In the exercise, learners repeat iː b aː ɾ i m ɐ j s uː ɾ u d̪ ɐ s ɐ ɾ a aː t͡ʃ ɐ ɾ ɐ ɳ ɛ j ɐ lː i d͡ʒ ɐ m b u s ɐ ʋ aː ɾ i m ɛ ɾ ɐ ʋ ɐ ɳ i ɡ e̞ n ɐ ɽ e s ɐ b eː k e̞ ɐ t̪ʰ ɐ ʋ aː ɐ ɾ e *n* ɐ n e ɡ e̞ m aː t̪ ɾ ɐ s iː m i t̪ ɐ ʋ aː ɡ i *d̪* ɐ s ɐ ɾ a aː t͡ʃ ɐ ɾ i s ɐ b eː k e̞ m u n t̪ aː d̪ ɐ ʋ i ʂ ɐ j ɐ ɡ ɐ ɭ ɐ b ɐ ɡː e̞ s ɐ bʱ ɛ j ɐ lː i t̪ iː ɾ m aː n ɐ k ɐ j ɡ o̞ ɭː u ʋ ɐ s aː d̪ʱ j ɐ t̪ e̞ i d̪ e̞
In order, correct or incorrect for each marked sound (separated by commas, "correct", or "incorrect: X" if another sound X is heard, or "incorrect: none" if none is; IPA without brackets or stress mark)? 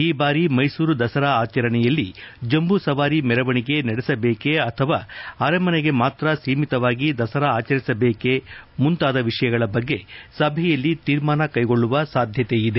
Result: incorrect: m, correct